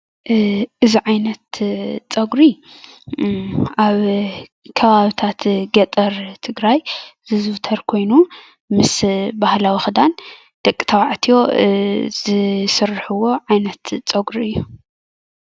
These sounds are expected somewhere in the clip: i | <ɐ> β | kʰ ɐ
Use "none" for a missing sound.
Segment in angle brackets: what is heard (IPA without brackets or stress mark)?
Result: a